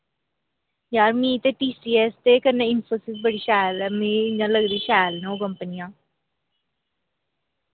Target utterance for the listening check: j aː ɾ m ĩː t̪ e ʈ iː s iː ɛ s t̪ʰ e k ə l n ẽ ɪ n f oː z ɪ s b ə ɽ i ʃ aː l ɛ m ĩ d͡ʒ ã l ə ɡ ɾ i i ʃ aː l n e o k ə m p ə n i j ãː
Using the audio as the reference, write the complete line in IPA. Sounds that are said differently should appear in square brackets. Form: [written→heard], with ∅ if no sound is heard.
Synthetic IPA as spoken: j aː ɾ m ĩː t̪ e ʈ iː s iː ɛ s [t̪ʰ→t̪] e k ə [l→ɾ] n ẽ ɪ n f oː [z→s] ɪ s b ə ɽ i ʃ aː l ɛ m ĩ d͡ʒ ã l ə ɡ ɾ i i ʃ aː l n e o k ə m p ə n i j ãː